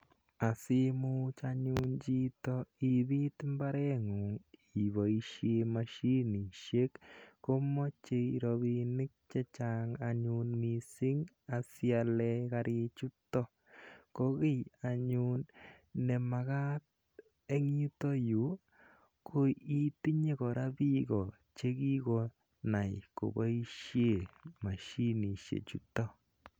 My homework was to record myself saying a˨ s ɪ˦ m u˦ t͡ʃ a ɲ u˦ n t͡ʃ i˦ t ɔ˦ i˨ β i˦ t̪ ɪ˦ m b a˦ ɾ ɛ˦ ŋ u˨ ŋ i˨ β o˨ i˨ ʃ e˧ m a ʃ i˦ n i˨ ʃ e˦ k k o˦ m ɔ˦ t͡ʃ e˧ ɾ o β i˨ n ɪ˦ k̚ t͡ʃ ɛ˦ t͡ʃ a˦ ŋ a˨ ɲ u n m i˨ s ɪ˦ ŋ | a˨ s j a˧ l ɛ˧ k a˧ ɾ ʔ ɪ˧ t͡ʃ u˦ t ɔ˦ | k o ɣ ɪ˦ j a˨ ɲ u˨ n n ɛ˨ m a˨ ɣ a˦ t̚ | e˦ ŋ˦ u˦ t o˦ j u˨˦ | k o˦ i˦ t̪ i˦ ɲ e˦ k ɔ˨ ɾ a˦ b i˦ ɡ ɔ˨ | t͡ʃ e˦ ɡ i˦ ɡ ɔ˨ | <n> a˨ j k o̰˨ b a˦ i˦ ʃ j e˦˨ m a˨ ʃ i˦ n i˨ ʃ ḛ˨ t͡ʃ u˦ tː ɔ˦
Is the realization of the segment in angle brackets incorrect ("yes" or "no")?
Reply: no